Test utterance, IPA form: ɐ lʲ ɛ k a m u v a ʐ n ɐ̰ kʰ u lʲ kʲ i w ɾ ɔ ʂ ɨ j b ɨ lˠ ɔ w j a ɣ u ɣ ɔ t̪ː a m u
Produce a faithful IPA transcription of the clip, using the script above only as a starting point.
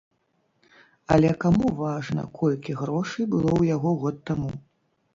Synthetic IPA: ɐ lʲ ɛ k a m u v a ʐ n ɐ̰ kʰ ɔ lʲ kʲ i ɣ ɾ ɔ ʂ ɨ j b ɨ lˠ ɔ w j a ɣ ɔ ɣ ɔ t̪ː a m u